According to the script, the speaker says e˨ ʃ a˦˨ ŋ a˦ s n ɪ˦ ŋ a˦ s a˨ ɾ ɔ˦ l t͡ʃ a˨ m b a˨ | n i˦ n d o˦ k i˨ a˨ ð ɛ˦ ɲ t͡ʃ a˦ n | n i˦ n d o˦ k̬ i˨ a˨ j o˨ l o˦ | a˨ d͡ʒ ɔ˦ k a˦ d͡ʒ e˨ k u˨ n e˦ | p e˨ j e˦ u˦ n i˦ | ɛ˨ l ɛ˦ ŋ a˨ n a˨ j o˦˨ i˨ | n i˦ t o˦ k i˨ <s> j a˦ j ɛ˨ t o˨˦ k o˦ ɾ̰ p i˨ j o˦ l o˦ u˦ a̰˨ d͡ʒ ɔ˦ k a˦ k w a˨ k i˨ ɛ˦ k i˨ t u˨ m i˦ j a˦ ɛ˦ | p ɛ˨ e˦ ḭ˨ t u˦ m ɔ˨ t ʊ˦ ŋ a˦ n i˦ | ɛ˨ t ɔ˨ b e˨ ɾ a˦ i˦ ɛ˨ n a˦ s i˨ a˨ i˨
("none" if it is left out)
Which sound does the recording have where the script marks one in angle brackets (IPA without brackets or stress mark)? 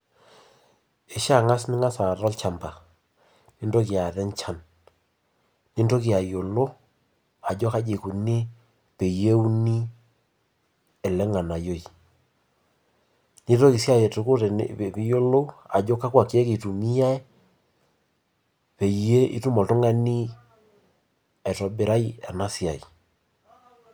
s